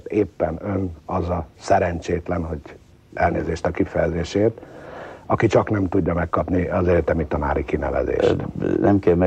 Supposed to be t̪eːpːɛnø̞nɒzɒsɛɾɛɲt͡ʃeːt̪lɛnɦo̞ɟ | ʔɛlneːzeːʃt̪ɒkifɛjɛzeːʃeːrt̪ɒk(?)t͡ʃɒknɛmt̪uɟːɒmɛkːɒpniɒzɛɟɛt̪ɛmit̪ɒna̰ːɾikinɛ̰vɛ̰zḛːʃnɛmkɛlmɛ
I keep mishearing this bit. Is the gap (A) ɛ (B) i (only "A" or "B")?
B